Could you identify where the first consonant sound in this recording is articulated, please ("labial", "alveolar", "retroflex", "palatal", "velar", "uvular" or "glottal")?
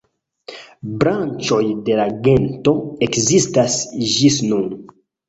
labial